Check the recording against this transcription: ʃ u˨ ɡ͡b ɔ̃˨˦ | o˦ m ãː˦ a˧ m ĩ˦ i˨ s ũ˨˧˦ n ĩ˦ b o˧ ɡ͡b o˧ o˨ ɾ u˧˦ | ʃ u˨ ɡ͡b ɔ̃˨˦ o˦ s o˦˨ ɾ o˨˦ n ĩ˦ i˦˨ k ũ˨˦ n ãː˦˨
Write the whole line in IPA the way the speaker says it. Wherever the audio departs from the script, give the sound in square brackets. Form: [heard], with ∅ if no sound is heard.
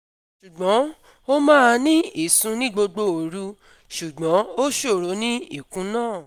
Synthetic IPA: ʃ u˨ ɡ͡b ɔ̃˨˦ | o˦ m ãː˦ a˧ [n] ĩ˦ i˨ s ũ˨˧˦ n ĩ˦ [ɡ͡b] o˧ ɡ͡b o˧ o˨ ɾ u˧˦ | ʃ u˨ ɡ͡b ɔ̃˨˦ o˦ [ʃ] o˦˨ ɾ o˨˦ n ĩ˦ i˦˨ k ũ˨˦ n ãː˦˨